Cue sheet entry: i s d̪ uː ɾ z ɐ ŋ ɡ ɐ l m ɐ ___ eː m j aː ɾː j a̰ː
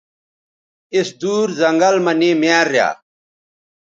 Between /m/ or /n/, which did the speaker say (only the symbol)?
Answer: n